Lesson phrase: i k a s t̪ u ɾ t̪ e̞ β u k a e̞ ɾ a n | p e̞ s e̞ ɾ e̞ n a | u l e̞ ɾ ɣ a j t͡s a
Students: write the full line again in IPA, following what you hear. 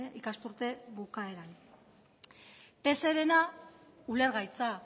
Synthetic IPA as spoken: i k a s t̪ u ɾ t̪ e̞ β u k a e̞ ɾ a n | p e̞ s e̞ ɾ e̞ n a | u l e̞ ɾ ɣ a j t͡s a